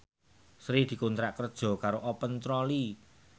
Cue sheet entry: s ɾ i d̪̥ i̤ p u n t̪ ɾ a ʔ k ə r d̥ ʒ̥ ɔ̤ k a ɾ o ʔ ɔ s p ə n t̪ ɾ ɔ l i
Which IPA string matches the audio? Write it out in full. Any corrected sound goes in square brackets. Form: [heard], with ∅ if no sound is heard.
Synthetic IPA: s ɾ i d̪̥ i̤ [k] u n t̪ ɾ a ʔ k ə r d̥ ʒ̥ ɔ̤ k a ɾ o ʔ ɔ [∅] p ə n t̪ ɾ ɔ l i